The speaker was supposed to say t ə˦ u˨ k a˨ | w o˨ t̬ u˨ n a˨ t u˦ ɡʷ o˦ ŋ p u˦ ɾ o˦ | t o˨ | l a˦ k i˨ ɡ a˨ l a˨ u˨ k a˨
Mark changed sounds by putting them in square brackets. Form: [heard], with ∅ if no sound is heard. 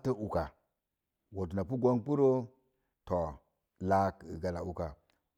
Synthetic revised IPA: t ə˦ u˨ k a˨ | w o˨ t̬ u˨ n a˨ [p] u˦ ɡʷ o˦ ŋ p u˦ ɾ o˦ | t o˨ | l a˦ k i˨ ɡ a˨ l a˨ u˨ k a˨